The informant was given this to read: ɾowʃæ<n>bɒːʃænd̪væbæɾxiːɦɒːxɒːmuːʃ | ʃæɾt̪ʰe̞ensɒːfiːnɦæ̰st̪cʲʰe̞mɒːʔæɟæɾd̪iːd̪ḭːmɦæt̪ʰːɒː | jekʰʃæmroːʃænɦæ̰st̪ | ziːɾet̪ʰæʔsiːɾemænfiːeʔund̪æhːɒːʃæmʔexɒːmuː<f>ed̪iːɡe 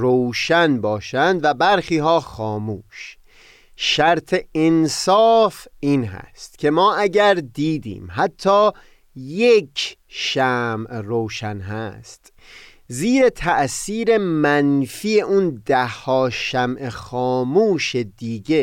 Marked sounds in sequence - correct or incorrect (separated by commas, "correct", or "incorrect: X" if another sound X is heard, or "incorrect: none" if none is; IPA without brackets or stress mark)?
correct, incorrect: ʃ